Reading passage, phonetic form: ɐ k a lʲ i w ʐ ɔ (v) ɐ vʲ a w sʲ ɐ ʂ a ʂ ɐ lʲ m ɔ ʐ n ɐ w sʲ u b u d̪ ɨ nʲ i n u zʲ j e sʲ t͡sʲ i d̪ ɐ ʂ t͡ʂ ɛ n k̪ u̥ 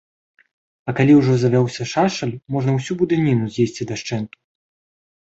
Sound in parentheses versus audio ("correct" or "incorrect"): incorrect